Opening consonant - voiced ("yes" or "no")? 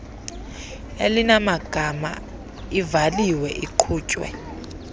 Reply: yes